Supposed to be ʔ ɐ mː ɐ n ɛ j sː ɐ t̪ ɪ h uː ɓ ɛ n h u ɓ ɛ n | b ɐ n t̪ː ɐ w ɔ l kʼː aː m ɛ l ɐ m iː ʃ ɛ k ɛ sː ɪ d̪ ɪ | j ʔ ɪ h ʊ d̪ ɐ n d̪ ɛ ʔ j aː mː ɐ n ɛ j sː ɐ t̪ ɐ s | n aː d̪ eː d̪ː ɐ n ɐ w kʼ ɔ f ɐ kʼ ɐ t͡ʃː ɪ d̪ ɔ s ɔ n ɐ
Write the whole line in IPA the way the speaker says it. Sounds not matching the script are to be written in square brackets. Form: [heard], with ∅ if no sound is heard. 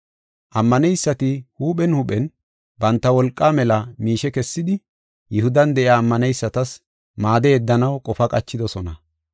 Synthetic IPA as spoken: ʔ ɐ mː ɐ n ɛ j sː ɐ t̪ ɪ h uː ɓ ɛ n h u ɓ ɛ n | b ɐ n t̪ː ɐ w ɔ l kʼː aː m ɛ l ɐ m iː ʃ ɛ k ɛ sː ɪ d̪ ɪ | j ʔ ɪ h ʊ d̪ ɐ n d̪ ɛ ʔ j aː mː ɐ n ɛ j sː ɐ t̪ ɐ s | [m] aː d̪ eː d̪ː ɐ n ɐ w kʼ ɔ f ɐ kʼ ɐ t͡ʃː ɪ d̪ ɔ s ɔ n ɐ